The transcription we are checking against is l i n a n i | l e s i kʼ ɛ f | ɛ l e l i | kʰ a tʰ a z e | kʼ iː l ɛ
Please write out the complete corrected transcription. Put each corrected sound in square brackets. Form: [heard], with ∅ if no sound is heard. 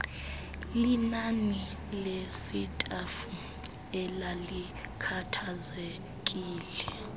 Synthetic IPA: l i n a n i | l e s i [tʼ] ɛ f | ɛ l [a] l i | kʰ a tʰ a z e | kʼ iː l ɛ